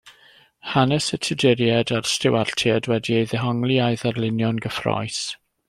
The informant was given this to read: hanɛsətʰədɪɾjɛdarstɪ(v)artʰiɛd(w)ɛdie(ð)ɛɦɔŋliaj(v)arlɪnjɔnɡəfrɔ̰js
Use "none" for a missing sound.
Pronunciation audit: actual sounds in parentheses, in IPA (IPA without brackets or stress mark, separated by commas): w, w, ð, ð